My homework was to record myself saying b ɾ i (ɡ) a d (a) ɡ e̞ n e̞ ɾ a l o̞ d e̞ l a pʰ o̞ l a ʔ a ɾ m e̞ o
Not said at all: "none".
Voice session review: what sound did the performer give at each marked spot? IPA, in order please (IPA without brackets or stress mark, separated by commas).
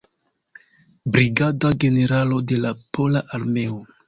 ɡ, a